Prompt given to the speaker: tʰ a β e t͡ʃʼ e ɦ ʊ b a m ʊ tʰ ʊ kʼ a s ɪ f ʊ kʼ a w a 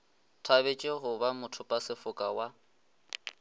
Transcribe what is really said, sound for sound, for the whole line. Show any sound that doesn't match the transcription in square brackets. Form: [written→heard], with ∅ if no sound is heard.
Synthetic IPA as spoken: tʰ a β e t͡ʃʼ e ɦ ʊ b a m ʊ tʰ ʊ [kʼ→pʼ] a s ɪ f ʊ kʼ a w a